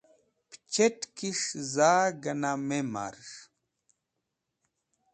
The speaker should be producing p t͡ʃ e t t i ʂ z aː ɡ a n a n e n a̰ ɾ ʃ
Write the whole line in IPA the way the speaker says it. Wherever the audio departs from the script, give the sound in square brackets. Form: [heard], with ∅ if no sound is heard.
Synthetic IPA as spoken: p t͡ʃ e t [k] i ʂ z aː ɡ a n a [m] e [m] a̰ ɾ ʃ